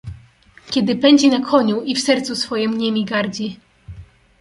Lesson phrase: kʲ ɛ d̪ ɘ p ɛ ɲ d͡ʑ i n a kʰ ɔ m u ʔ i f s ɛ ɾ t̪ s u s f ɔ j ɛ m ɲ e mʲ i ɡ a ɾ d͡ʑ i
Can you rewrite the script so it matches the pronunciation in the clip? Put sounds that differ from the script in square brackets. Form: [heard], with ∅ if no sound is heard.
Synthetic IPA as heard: kʲ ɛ d̪ ɘ p ɛ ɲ d͡ʑ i n a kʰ ɔ [ɲ] u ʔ i f s ɛ ɾ t̪ s u s f ɔ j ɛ m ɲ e mʲ i ɡ a ɾ d͡ʑ i